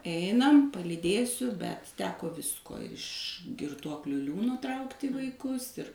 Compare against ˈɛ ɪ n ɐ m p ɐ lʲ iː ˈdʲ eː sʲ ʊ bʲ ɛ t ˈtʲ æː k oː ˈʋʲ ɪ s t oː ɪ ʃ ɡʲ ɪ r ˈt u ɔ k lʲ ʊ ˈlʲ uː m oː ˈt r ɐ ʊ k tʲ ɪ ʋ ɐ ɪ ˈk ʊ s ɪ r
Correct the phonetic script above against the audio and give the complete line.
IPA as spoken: ˈɛ ɪ n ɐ m p ɐ lʲ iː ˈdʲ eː sʲ ʊ bʲ ɛ t ˈtʲ æː k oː ˈʋʲ ɪ s k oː ɪ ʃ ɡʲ ɪ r ˈt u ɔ k lʲ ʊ ˈlʲ uː n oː ˈt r ɐ ʊ k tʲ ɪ ʋ ɐ ɪ ˈk ʊ s ɪ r